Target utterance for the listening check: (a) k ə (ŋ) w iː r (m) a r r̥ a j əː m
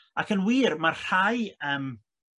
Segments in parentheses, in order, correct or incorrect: correct, incorrect: n, correct

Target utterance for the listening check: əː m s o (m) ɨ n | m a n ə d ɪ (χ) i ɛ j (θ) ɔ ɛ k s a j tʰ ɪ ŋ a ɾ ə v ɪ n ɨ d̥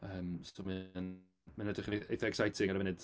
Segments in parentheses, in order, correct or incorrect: correct, correct, correct

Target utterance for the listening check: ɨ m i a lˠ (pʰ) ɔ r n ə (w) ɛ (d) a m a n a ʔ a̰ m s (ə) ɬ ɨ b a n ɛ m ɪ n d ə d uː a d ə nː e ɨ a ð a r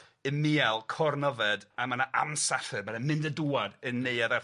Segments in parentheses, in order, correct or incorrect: incorrect: kʰ, incorrect: v, correct, incorrect: a

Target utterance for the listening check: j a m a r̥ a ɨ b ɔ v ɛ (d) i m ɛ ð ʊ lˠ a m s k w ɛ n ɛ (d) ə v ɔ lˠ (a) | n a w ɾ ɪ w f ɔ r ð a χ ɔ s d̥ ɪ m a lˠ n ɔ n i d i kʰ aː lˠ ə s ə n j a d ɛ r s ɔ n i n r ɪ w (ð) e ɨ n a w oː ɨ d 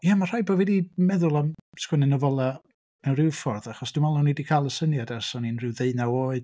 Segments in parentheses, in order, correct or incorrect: correct, incorrect: n, correct, correct

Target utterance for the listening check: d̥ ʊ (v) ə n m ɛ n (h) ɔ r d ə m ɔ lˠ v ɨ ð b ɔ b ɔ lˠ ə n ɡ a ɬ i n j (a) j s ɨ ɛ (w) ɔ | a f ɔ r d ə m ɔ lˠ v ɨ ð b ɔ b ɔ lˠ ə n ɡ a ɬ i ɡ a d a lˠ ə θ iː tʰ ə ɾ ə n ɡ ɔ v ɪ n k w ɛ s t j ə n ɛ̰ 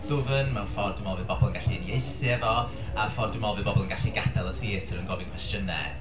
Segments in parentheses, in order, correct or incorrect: correct, incorrect: f, incorrect: e, incorrect: v

